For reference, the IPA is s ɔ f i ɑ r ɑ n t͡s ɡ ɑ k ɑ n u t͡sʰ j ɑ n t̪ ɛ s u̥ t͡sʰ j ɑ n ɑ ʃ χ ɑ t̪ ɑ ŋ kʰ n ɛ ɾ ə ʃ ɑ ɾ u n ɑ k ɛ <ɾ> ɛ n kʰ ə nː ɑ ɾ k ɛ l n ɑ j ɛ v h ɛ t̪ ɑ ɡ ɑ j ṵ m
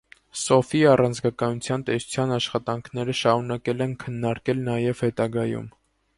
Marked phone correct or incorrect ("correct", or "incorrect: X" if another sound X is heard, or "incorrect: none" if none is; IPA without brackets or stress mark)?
incorrect: l